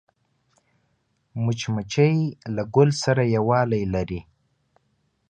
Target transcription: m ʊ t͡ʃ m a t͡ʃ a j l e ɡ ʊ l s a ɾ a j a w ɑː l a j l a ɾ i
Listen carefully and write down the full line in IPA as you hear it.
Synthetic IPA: m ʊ t͡ʃ m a t͡ʃ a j l a ɡ ʊ l s a ɾ a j a w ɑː l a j l a ɾ i